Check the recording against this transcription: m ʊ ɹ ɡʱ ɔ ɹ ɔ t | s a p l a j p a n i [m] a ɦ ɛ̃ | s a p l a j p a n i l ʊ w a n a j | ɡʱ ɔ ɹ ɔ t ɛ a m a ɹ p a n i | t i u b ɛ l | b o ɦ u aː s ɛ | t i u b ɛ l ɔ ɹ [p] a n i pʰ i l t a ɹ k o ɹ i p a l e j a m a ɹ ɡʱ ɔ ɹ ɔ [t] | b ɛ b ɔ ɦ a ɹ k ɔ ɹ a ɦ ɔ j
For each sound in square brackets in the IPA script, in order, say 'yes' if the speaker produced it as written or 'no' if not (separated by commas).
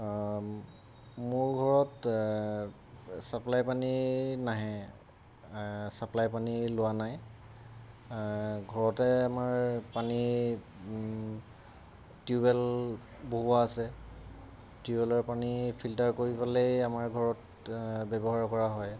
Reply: no, yes, yes